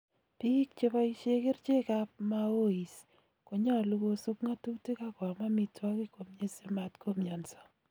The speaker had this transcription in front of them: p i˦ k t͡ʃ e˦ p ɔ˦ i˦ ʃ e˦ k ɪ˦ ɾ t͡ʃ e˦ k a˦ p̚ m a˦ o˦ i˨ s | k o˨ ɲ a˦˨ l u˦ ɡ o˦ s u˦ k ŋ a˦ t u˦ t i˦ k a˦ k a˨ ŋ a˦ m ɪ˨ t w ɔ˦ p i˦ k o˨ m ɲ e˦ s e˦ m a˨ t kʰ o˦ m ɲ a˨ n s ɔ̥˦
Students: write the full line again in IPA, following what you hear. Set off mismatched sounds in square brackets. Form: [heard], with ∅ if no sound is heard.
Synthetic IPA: p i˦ k t͡ʃ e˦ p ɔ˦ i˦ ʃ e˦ k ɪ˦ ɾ t͡ʃ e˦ k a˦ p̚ m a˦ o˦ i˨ s | k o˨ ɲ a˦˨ l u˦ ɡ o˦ s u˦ k ŋ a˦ t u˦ t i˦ k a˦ k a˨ [m] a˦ m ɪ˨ t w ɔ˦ [k] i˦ k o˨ m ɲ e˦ s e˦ m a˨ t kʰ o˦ m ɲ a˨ n s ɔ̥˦